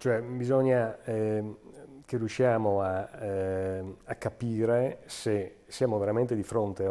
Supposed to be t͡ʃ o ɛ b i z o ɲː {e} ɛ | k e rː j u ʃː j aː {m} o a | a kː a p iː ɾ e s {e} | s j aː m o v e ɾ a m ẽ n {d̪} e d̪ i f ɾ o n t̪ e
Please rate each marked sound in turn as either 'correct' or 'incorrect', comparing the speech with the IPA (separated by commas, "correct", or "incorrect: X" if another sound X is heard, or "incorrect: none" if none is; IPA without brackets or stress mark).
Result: incorrect: a, correct, correct, incorrect: t̪